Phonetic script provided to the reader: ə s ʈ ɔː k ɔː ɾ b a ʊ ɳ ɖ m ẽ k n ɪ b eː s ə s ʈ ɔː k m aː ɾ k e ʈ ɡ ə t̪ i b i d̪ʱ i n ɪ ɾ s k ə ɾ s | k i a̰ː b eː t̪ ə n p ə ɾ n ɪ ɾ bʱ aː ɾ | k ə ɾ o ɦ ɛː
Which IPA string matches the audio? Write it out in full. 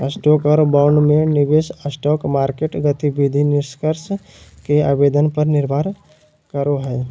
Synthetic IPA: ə s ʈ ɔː k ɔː ɾ b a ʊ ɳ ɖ m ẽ n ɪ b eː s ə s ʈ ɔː k m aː ɾ k e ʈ ɡ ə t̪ i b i d̪ʱ i n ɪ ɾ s k ə ɾ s | k e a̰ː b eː d̪ ə n p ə ɾ n ɪ ɾ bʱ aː ɾ | k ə ɾ o ɦ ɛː